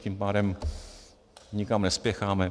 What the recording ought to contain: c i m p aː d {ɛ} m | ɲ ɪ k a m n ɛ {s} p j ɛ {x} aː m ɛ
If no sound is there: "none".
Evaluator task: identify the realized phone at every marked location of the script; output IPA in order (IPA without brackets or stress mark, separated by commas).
ɛ, s, x